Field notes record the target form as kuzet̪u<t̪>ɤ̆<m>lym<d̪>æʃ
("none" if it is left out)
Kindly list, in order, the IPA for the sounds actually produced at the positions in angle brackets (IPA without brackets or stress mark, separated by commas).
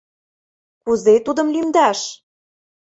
d̪, m, d̪